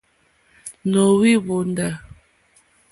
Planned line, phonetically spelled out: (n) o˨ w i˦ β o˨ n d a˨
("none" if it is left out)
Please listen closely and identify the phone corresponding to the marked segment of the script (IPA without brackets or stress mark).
n